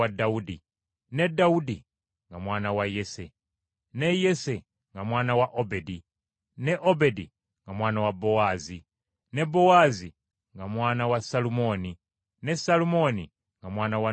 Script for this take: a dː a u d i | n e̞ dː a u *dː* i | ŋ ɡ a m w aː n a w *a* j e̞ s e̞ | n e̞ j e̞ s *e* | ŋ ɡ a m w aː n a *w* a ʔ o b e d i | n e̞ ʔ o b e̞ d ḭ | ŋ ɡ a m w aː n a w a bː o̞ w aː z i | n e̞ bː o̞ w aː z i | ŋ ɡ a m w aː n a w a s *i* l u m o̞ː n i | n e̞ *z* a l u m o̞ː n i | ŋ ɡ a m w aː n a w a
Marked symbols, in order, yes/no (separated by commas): no, yes, yes, yes, no, no